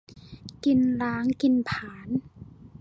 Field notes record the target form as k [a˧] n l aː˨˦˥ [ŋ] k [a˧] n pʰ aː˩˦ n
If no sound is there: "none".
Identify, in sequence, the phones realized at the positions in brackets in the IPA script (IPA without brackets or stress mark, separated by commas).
i˧, ŋ, i˧